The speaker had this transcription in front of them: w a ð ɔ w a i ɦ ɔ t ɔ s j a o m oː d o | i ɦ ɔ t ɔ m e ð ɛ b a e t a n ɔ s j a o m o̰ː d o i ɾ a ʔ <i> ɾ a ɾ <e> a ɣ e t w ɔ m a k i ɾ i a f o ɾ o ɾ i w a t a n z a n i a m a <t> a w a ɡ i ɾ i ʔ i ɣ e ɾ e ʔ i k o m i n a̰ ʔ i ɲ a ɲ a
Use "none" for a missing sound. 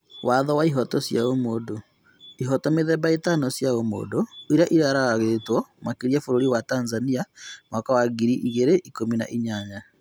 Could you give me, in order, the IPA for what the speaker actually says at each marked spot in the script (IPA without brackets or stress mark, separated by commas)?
i, a, k